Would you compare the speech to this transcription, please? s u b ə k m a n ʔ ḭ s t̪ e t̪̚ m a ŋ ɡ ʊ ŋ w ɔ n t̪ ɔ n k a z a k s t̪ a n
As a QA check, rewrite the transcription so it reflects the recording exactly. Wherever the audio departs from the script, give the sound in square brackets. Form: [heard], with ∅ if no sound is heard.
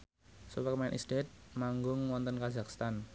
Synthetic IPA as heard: s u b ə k m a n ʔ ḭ s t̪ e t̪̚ m a ŋ ɡ ʊ ŋ w ɔ n t̪ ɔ n k a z a k s t̪ a n